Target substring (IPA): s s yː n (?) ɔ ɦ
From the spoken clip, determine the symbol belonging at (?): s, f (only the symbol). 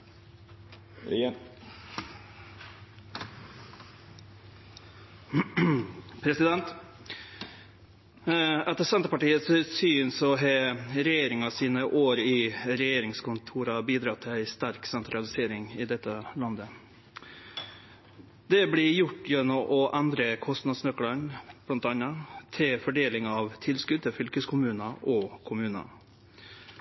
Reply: s